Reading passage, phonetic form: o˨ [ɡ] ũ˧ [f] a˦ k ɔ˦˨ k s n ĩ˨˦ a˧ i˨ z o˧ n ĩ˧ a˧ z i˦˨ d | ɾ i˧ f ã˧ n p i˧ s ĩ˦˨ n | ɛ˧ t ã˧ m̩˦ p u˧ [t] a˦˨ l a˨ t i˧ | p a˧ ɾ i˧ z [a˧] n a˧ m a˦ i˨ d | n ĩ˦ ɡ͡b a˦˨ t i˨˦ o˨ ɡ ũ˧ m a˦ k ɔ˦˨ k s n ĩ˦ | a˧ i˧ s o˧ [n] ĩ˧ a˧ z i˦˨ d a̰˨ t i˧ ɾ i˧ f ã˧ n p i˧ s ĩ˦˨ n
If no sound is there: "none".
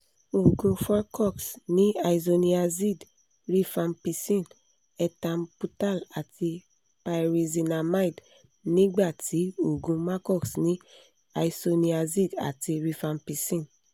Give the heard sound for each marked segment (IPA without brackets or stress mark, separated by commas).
ɡ, f, t, i˧, n